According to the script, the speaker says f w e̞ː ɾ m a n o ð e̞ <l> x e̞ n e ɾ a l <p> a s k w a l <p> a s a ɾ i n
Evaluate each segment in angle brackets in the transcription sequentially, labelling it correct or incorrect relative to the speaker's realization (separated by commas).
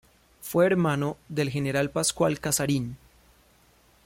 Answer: correct, correct, incorrect